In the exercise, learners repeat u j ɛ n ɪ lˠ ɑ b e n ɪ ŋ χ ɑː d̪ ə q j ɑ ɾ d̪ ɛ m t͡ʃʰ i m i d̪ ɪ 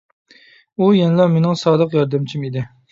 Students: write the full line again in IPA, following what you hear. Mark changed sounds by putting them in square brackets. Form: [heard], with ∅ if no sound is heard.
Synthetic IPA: u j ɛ n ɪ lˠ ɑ [m] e n ɪ ŋ [s] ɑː d̪ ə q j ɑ ɾ d̪ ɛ m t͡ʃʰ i m i d̪ ɪ